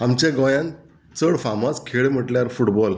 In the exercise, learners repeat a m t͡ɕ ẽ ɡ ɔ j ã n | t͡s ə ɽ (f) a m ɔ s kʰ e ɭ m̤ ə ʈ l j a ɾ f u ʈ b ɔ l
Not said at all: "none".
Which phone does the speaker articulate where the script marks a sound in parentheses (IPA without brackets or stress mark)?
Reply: f